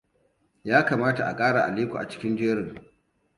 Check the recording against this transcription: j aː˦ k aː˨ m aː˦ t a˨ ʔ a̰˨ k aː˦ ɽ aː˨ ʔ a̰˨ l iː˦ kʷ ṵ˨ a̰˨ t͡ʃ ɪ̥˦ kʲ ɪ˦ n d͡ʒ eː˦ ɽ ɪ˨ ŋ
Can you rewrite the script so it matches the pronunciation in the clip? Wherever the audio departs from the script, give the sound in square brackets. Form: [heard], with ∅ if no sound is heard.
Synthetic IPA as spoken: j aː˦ k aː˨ m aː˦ t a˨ ʔ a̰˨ [kʼ] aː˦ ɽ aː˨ ʔ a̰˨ l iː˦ kʷ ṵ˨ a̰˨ t͡ʃ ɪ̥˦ kʲ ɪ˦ n d͡ʒ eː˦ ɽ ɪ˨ ŋ